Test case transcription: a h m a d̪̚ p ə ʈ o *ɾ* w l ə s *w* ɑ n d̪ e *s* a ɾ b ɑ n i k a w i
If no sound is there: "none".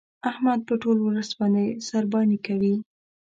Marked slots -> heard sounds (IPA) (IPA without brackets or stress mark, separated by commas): l, b, s